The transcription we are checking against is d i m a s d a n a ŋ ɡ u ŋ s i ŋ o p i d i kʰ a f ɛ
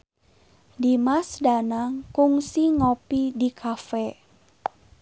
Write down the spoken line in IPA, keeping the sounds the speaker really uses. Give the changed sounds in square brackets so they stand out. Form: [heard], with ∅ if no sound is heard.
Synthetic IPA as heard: d i m a s d a n a ŋ [k] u ŋ s i ŋ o p i d i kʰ a f ɛ